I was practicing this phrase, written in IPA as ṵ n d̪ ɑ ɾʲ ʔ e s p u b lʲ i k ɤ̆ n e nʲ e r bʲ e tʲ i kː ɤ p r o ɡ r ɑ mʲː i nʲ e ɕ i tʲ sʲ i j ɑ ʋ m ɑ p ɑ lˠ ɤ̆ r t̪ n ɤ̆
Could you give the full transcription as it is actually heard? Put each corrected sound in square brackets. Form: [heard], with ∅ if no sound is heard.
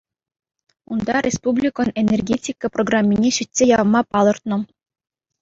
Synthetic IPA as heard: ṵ n d̪ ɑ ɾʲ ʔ e s p u b lʲ i k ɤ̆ n e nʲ e r [ɡʲ] e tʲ i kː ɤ p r o ɡ r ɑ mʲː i nʲ e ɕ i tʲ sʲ [e] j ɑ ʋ m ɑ p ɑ lˠ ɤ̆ r t̪ n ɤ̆

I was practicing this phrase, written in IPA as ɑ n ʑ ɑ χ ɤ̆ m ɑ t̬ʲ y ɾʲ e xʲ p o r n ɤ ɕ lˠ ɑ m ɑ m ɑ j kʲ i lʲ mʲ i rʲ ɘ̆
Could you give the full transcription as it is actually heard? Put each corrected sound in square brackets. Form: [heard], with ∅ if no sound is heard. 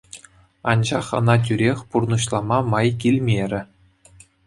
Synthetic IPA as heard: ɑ n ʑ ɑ χ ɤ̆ [n] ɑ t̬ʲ y ɾʲ e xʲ p [u] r n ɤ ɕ lˠ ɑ m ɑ m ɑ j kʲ i lʲ mʲ [e] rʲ ɘ̆

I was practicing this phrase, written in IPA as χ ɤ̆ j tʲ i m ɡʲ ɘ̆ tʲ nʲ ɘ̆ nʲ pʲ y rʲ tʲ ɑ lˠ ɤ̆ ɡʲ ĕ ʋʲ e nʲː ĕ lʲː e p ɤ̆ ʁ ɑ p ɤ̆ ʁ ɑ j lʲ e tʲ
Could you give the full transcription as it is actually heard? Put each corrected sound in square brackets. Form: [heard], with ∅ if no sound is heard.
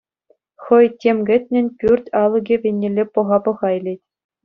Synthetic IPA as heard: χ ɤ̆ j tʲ [e] m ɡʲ ɘ̆ tʲ nʲ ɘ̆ nʲ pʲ y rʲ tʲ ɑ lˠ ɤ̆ ɡʲ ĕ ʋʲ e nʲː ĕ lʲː e p ɤ̆ ʁ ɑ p ɤ̆ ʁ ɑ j lʲ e tʲ

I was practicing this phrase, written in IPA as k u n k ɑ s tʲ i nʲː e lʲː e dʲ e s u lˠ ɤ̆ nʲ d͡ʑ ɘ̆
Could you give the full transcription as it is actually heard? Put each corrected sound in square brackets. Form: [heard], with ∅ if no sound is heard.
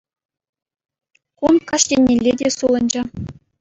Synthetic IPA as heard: k u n k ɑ [ʂ] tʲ [e] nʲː e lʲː e dʲ e s u lˠ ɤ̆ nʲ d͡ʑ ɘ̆

